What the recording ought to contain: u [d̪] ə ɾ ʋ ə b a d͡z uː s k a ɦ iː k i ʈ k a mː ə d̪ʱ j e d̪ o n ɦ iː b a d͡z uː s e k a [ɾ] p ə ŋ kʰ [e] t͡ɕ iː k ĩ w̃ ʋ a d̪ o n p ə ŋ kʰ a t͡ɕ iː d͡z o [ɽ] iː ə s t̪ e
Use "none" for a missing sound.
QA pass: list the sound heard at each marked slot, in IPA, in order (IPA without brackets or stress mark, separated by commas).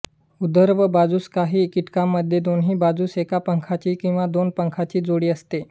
d̪, none, a, ɽ